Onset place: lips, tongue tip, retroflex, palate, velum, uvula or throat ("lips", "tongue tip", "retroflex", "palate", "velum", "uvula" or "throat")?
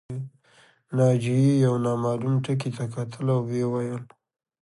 tongue tip